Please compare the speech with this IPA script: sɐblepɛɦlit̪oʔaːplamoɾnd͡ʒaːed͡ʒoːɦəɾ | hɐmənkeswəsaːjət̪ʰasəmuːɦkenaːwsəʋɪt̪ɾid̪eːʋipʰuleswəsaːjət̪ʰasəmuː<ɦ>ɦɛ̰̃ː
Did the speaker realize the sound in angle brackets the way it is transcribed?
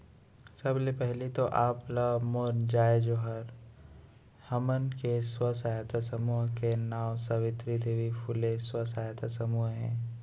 yes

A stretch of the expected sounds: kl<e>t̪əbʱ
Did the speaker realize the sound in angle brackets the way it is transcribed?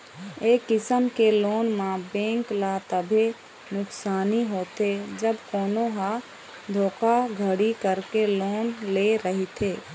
no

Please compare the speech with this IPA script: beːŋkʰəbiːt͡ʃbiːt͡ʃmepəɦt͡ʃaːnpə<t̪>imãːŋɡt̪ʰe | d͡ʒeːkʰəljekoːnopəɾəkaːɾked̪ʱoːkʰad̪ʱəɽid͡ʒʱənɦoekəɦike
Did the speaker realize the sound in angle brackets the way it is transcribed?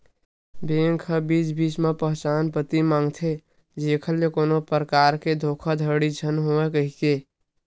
yes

